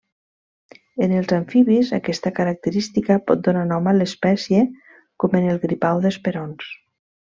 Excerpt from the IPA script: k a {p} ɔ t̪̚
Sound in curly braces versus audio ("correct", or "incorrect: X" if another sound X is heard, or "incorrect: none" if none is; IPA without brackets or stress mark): correct